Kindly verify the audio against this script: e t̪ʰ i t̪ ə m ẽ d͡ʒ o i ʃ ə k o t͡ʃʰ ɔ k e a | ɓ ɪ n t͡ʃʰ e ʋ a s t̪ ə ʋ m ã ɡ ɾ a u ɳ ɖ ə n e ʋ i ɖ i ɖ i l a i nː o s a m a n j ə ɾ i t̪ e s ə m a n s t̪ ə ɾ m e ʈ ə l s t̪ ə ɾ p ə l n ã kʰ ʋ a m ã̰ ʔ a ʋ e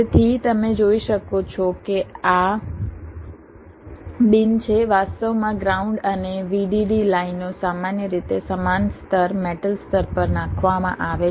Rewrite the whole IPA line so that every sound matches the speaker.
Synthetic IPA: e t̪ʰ i t̪ ə m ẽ d͡ʒ o i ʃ ə k o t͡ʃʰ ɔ k e a | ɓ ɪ n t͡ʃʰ e ʋ a s t̪ ə ʋ m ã ɡ ɾ a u ɳ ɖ ə n e ʋ i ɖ i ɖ i l a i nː o s a m a n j ə ɾ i t̪ e s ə m a n s t̪ ə ɾ m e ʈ ə l s t̪ ə ɾ p ə ɾ n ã kʰ ʋ a m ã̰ ʔ a ʋ e

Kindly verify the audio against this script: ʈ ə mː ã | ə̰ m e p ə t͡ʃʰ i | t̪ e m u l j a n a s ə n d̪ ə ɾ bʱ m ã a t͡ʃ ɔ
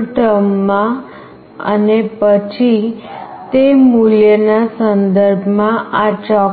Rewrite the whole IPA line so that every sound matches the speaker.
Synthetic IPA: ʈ ə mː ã | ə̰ n e p ə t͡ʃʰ i | t̪ e m u l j ə n a s ə n d̪ ə ɾ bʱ m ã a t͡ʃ ɔ

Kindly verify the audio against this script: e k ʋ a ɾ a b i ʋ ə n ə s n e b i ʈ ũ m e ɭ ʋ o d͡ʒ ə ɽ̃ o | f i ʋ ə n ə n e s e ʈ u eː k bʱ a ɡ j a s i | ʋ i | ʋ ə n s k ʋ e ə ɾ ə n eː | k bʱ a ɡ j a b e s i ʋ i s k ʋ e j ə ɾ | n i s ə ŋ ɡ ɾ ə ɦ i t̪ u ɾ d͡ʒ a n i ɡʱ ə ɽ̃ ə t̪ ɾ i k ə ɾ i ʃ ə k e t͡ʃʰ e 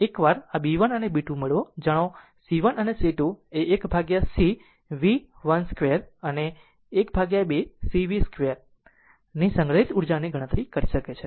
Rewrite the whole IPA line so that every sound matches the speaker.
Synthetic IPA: e k ʋ a ɾ a b i ʋ ə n ə n e b i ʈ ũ m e ɭ ʋ o d͡ʒ ə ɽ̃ o | s i ʋ ə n ə n e s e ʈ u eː k bʱ a ɡ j a s i | ʋ i | ʋ ə n s k ʋ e ə ɾ ə n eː | k bʱ a ɡ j a b e s i ʋ i s k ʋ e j ə ɾ | n i s ə ŋ ɡ ɾ ə ɦ i t̪ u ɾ d͡ʒ a n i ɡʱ ə ɽ̃ ə t̪ ɾ i k ə ɾ i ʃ ə k e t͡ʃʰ e

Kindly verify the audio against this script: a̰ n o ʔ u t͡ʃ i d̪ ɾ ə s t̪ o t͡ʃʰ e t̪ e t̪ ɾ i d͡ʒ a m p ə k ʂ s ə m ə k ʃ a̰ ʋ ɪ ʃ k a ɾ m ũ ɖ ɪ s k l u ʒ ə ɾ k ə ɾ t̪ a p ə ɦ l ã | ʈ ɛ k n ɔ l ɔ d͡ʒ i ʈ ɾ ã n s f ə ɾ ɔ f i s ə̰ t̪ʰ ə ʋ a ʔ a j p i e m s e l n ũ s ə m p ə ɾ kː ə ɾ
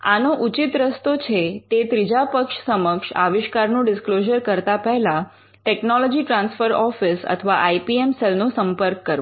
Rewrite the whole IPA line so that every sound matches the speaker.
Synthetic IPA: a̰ n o ʔ u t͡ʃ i t̪ ɾ ə s t̪ o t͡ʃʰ e t̪ e t̪ ɾ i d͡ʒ a p ə k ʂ s ə m ə k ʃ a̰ ʋ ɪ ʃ k a ɾ n ũ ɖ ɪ s k l o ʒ ə ɾ k ə ɾ t̪ a p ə ɦ l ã | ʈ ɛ k n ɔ l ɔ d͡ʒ i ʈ ɾ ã n s f ə ɾ ɔ f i s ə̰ t̪ʰ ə ʋ a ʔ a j p i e m s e l n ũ s ə m p ə ɾ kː ə ɾ

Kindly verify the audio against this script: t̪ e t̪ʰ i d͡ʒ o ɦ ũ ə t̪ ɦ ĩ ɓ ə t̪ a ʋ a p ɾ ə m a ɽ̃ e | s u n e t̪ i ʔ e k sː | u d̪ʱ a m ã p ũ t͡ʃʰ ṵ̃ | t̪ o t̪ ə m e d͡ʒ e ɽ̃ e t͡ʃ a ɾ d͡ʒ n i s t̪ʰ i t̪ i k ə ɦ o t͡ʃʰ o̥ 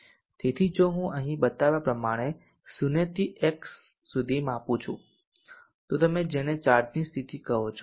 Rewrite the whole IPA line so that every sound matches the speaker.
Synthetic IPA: t̪ e t̪ʰ i d͡ʒ o ɦ ũ ə ɦ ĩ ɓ ə t̪ a ʋ a p ɾ ə m a ɽ̃ e | s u n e t̪ i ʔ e k sː | u d̪ʱ i m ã p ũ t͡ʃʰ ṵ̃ | t̪ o t̪ ə m e d͡ʒ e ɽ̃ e t͡ʃ a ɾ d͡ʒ n i s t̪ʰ i t̪ i k ə ɦ o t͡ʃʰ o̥

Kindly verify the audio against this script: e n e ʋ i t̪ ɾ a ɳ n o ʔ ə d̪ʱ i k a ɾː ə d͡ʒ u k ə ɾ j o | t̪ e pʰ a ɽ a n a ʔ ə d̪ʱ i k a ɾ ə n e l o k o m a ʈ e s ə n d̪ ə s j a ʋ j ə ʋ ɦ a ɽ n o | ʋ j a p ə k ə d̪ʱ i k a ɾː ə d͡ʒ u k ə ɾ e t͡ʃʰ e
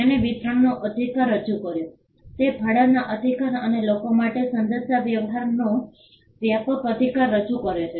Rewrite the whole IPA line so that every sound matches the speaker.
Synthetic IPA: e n e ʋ i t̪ ɾ ə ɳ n o ʔ ə d̪ʱ i k a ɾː ə d͡ʒ u k ə ɾ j o | t̪ e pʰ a ɽ a n a ʔ ə d̪ʱ i k a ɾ ə n e l o k o m a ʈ e s ə n d̪ ə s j a ʋ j ə ʋ ɦ a ɾ n o | ʋ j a p ə k ə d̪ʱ i k a ɾː ə d͡ʒ u k ə ɾ e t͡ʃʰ e

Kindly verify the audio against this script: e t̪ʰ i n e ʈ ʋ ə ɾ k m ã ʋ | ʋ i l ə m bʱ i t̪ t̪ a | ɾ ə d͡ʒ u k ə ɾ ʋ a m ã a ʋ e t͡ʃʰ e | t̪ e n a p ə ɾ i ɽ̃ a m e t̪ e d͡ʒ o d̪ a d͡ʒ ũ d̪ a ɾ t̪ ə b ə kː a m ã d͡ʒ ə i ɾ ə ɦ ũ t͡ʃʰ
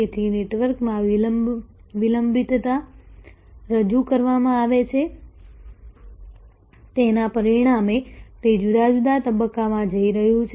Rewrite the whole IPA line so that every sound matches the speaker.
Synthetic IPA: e t̪ʰ i n e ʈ ʋ ə ɾ k m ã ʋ | ʋ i l ə m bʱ i t̪ t̪ a | ɾ ə d͡ʒ u k ə ɾ ʋ a m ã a ʋ e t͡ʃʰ e | t̪ e n a p ə ɾ i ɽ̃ a m e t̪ e d͡ʒ u d̪ a d͡ʒ u d̪ a t̪ ə b ə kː a m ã d͡ʒ ə i ɾ ə ɦ ũ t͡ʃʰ

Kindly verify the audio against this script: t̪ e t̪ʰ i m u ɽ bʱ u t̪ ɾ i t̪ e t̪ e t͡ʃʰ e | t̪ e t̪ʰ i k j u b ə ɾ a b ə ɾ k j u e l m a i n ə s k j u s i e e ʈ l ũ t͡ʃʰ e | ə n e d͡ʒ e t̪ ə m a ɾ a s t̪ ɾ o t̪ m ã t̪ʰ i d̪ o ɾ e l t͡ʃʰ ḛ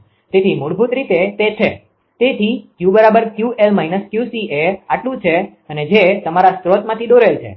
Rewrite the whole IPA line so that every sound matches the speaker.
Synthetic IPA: t̪ e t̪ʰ i m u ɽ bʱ u t̪ ɾ i t̪ e t̪ e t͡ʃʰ e | t̪ e t̪ʰ i k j u b ə ɾ a b ə ɾ k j u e l m a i n ə s k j u s i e a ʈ l ũ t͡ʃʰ e | ə n e d͡ʒ e t̪ ə m a ɾ a s t̪ ɾ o t̪ m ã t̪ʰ i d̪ o ɾ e l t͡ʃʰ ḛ

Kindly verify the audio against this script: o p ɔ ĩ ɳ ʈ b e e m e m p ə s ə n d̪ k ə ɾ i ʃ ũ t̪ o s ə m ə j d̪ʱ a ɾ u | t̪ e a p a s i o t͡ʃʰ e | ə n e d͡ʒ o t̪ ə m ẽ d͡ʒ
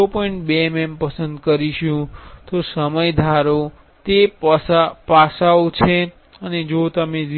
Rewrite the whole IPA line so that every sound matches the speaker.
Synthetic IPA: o p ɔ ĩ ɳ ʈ b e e m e m p ə s ə n d̪ k ə ɾ i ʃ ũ t̪ o s ə m ə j d̪ʱ a ɾ o | t̪ e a p a s a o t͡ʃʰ e | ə n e d͡ʒ o t̪ ə m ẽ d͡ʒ

